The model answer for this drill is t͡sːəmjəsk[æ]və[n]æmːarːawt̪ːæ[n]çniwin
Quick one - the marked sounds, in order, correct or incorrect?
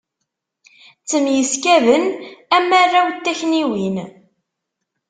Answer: correct, correct, incorrect

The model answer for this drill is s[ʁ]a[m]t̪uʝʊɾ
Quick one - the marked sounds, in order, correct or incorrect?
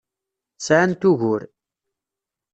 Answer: incorrect, incorrect

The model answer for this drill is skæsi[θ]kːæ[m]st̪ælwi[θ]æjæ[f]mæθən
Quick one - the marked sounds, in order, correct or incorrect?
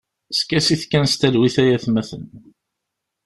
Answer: correct, incorrect, correct, incorrect

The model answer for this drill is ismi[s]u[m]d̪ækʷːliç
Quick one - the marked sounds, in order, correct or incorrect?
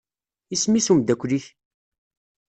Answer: correct, correct

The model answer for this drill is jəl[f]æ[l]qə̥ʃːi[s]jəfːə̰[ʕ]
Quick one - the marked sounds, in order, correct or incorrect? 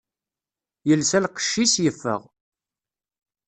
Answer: incorrect, correct, correct, incorrect

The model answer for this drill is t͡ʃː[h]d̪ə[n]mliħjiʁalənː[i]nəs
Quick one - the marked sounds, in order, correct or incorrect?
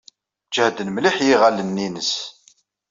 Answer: correct, correct, correct

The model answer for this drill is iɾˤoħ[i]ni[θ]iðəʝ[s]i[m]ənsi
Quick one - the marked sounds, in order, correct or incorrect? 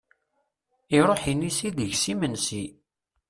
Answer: correct, incorrect, correct, correct

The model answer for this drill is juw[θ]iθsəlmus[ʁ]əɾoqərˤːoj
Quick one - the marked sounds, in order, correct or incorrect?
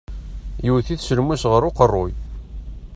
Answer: correct, correct

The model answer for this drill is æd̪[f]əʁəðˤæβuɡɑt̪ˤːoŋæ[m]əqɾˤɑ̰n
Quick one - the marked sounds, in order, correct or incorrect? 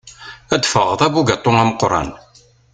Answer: correct, correct

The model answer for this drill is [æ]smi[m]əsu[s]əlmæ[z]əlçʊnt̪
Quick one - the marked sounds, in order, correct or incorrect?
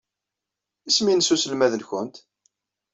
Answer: incorrect, incorrect, correct, incorrect

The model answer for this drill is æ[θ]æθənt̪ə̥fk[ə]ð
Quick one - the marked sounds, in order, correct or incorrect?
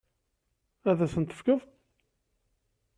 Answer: incorrect, correct

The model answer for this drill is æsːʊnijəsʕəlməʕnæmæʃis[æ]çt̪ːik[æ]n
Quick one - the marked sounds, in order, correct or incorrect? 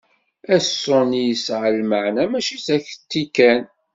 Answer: correct, correct

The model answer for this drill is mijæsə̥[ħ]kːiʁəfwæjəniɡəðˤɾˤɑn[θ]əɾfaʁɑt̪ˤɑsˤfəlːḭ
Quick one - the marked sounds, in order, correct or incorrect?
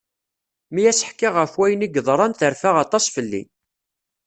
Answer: correct, correct

